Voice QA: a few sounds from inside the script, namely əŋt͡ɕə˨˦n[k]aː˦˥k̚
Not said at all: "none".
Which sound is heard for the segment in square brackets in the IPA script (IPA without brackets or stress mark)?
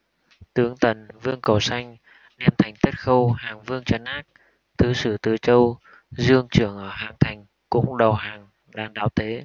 ʔ